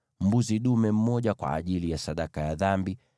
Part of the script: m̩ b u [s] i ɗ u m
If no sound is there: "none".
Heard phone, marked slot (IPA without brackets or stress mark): z